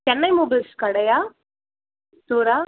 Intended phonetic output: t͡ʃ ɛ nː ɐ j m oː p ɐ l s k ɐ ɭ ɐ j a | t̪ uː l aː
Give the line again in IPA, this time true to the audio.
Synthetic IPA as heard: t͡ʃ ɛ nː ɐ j m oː b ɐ l s k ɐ ɽ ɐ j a | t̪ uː ɾ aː

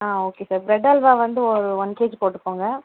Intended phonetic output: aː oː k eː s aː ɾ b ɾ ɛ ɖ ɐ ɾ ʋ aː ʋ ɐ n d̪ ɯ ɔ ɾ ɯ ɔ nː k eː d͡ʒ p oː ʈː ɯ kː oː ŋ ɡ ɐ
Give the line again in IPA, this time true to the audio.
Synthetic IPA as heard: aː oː k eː s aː ɾ b ɾ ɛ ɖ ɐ l ʋ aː ʋ ɐ n d̪ ɯ ɔ ɾ ɯ ɔ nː k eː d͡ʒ p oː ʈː ɯ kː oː ŋ ɡ ɐ

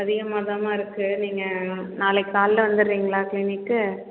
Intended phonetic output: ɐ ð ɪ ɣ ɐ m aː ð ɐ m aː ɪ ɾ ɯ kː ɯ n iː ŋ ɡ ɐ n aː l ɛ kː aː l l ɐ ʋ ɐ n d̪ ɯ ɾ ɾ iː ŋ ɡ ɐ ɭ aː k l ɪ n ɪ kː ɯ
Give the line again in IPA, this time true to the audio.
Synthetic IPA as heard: ɐ ð ɪ ɣ ɐ m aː ð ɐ m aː ɪ ɾ ɯ kː ɯ n iː ŋ ɡ ɐ n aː l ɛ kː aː l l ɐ ʋ ɐ n d̪ ɯ ɾ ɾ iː ŋ ɡ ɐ ɭ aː k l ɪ n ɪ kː ɯ

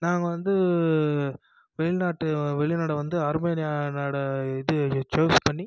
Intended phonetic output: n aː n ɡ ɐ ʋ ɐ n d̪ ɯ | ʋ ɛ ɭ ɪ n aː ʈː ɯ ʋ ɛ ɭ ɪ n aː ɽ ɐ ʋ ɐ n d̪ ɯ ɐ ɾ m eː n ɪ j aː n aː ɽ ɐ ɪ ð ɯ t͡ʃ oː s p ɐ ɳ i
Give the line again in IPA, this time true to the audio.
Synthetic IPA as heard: n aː ŋ ɡ ɐ ʋ ɐ n d̪ ɯ | ʋ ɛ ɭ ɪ n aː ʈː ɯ ʋ ɛ ɭ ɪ n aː ɽ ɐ ʋ ɐ n d̪ ɯ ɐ ɾ m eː n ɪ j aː n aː ɽ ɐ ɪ ð ɯ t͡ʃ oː s p ɐ ɳː i

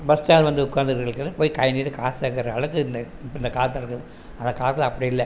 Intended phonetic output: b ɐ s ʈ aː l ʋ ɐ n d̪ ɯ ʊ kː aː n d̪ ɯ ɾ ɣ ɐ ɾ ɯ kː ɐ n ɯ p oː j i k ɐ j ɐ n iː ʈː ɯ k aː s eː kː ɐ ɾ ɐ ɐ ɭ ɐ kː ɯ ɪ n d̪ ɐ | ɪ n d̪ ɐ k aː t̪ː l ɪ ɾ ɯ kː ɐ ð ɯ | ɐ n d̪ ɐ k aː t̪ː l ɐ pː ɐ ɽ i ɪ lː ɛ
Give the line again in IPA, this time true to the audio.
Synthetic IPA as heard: b ɐ s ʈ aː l ʋ ɐ n d̪ ɯ ʊ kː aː n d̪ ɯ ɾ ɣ ɐ ɭ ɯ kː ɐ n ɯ p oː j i k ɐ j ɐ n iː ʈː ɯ k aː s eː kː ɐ ɾ ɐ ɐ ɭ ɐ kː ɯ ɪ n d̪ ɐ | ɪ n d̪ ɐ k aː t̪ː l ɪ ɾ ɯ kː ɐ ð ɯ | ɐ n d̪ ɐ k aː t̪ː l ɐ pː ɐ ɽ i ɪ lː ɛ

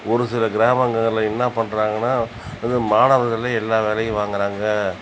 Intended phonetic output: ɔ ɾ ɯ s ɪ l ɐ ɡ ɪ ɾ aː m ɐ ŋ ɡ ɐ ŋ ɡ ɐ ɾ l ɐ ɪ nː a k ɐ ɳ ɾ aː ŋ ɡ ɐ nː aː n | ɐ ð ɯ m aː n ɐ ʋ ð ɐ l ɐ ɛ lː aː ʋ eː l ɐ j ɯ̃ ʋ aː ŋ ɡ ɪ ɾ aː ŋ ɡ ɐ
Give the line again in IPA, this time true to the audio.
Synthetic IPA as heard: ɔ ɾ ɯ s ɪ l ɐ ɡ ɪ ɾ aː m ɐ ŋ ɡ ɐ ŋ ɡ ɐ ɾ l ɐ ɪ nː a p ɐ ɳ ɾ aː ŋ ɡ ɐ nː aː | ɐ ð ɯ m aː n ɐ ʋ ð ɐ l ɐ ɛ lː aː ʋ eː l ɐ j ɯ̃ ʋ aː ŋ ɡ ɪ ɾ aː ŋ ɡ ɐ

